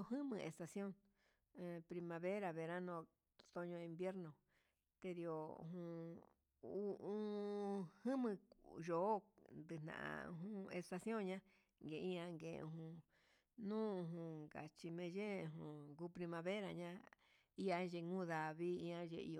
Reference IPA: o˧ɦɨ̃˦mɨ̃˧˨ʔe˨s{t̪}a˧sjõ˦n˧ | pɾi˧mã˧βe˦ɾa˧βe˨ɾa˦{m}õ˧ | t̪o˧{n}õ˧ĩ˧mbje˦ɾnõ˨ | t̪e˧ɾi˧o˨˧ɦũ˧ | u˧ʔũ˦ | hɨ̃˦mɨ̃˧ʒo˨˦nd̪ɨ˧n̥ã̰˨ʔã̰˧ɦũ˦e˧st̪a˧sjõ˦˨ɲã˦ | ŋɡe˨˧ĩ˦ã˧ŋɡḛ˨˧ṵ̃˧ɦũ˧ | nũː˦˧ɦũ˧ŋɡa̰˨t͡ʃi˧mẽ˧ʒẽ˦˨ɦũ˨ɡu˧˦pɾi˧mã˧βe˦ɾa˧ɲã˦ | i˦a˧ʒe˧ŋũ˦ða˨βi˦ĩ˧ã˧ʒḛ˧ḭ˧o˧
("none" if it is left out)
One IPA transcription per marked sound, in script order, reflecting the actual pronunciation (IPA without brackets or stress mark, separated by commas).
t̪, n, ɲ